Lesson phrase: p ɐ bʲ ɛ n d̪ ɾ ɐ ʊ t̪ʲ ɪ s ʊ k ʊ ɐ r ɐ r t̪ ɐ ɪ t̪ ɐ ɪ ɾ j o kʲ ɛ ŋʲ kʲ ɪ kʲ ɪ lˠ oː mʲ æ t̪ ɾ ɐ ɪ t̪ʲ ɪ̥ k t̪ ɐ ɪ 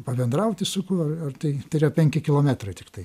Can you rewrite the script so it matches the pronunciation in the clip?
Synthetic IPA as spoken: p ɐ bʲ ɛ n d̪ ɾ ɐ ʊ t̪ʲ ɪ s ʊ k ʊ ɐ r ɐ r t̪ ɐ ɪ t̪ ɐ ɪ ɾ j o pʲ ɛ ŋʲ kʲ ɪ kʲ ɪ lˠ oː mʲ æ t̪ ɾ ɐ ɪ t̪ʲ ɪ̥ k t̪ ɐ ɪ